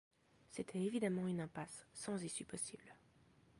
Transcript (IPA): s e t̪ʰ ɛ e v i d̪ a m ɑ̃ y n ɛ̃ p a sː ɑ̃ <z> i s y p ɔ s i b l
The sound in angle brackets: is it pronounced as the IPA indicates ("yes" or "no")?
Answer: yes